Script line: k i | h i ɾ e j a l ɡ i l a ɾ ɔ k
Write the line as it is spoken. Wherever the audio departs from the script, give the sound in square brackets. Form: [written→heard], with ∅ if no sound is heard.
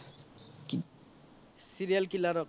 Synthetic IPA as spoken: k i | [h→s] i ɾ [e→i] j a l [ɡ→k] i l a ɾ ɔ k

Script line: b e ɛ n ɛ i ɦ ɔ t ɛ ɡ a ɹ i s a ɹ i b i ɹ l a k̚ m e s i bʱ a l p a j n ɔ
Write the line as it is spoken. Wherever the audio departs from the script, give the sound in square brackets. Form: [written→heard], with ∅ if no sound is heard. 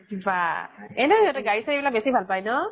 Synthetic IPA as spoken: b [e→a] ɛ n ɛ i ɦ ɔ t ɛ ɡ a ɹ i s a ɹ i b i [ɹ→∅] l a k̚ [m→b] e s i bʱ a l p a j n ɔ

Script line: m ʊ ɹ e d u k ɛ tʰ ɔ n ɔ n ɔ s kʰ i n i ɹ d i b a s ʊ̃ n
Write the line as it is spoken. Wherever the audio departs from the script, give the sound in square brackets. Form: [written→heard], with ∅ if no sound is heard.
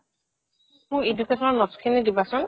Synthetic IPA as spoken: m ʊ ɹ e d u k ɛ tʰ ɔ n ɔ n ɔ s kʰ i n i [ɹ→∅] d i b a s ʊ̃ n

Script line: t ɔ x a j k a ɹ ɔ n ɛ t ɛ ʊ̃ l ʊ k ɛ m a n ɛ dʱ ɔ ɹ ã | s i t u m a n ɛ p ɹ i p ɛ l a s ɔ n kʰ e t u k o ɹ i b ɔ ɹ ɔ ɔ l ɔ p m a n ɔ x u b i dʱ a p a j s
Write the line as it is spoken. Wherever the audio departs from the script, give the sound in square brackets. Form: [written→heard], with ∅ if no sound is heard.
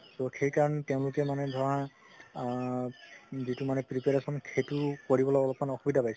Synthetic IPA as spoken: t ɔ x [a→e] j k a ɹ ɔ n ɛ t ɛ ʊ̃ l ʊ k ɛ m a n ɛ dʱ ɔ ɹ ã | [s→z] i t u m a n ɛ p ɹ i p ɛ [l→ɹ] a s ɔ n kʰ e t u k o ɹ i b ɔ [ɹ→l] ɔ ɔ l ɔ p m a n ɔ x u b i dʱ a p a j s

